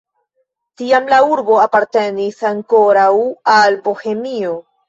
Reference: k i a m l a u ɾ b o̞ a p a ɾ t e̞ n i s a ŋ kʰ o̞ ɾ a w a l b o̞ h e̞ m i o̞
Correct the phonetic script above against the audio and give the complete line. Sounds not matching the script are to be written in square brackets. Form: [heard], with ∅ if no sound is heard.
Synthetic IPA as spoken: [t] i a m l a u ɾ b o̞ a p a ɾ t e̞ n i s a ŋ [k] o̞ ɾ a w a l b o̞ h e̞ m i o̞

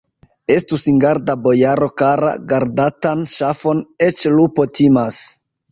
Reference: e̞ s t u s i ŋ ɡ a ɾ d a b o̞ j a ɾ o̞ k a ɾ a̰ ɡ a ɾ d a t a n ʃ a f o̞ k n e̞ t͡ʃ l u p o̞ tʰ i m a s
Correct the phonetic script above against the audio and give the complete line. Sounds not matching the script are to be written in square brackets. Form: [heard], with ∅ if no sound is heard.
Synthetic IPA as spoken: e̞ s t u s i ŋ ɡ a ɾ d a b o̞ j a ɾ o̞ k a ɾ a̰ ɡ a ɾ d a t a n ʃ a f o̞ [∅] n e̞ t͡ʃ l u p o̞ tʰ i m a s

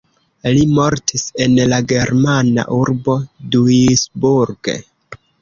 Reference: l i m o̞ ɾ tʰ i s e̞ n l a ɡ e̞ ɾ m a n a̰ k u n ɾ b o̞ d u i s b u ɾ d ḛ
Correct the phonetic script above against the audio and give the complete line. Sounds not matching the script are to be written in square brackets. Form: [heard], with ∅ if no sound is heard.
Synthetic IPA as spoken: l i m o̞ ɾ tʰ i s e̞ n l a ɡ e̞ ɾ m a n a̰ [ʔ] u [∅] ɾ b o̞ d u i s b u ɾ [ɡ] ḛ

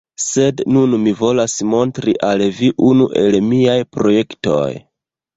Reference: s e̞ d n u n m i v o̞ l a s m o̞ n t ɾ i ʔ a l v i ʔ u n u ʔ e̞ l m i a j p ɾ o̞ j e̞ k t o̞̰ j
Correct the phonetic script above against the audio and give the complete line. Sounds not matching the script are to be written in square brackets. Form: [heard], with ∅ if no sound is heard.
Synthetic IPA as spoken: s e̞ d n u n m i v o̞ l a s m o̞ n t ɾ i ʔ a l v i ʔ u n u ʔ e̞ l m i a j p ɾ o̞ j e̞ k t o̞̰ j

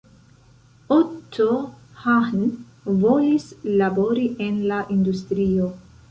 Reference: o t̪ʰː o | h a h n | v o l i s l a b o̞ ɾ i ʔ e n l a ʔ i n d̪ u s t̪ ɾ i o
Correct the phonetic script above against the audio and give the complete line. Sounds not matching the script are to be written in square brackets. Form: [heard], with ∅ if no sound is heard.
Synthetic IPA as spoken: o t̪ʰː o | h a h n | v o l i s l a b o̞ ɾ i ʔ e n l a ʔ i n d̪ u s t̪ ɾ i o

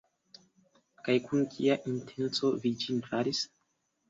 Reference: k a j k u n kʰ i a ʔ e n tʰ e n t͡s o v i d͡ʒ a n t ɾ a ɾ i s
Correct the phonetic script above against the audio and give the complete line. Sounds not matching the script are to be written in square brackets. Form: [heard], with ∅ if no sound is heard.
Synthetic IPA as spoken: k a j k u n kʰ i a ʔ [i] n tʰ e n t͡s o v i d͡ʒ [i] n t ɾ a ɾ i s

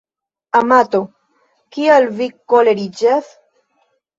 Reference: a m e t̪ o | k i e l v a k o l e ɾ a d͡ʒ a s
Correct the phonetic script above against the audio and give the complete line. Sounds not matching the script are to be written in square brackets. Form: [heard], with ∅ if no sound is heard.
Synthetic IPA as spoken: a m [a] t̪ o | k i [a] l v [i] k o l e ɾ [i] d͡ʒ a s

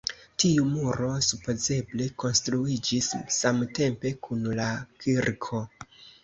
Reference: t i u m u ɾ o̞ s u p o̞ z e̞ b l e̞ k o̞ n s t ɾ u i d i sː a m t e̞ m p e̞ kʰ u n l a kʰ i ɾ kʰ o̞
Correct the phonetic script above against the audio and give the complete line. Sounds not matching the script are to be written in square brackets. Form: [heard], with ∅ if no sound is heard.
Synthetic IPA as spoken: t i u m u ɾ o̞ s u p o̞ z e̞ b l e̞ k o̞ n s t ɾ u i [d͡ʒ] i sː a m t e̞ m p e̞ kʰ u n l a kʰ i ɾ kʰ o̞

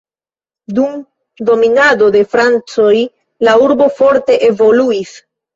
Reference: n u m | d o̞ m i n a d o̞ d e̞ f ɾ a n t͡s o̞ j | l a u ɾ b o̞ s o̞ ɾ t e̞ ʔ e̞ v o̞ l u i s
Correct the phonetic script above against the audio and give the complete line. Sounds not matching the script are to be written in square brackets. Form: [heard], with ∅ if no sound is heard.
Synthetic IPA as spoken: [d] u m | d o̞ m i n a d o̞ d e̞ f ɾ a n t͡s o̞ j | l a u ɾ b o̞ [f] o̞ ɾ t e̞ ʔ e̞ v o̞ l u i s

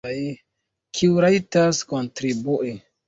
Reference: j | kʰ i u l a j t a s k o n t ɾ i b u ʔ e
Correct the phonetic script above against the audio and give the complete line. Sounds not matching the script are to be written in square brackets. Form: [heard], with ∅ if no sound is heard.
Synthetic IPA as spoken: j | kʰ i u [ɾ] a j t a s k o n t ɾ i b u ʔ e

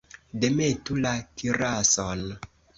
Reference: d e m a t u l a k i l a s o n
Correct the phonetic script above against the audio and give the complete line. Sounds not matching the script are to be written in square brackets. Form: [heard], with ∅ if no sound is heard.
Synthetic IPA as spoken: d e m [e] t u l a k i [ɾ] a s o n

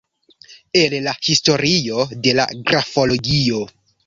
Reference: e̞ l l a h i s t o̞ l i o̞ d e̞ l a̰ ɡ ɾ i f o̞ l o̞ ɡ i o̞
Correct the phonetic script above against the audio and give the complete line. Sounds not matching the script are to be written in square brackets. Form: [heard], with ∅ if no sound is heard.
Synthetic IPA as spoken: e̞ l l a h i s t o̞ [ɾ] i o̞ d e̞ l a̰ ɡ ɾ [a] f o̞ l o̞ ɡ i o̞

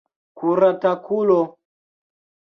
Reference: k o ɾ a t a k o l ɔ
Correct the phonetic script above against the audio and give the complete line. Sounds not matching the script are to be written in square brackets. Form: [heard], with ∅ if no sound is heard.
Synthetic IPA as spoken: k [u] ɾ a t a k [u] l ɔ

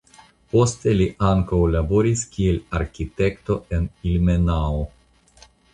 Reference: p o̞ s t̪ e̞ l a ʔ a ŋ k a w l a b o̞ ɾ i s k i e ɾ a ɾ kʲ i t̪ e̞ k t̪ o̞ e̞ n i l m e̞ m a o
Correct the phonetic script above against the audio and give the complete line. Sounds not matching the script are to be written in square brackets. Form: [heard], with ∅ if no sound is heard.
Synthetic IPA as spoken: p o̞ s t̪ e̞ l [i] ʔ a ŋ k a w l a b o̞ ɾ i s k i e [l] a ɾ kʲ i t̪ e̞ k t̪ o̞ e̞ n i l m e̞ [n] a o

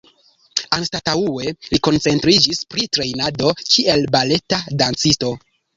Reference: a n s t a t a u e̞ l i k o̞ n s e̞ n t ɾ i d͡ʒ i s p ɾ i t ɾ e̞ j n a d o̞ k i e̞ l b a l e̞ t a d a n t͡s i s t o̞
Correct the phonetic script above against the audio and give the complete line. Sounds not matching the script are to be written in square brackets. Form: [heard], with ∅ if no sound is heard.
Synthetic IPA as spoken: a n s t a t a u e̞ l i k o̞ n [t͡s] e̞ n t ɾ i d͡ʒ i s p ɾ i t ɾ e̞ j n a d o̞ k i e̞ l b a l e̞ t a d a n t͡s i s t o̞

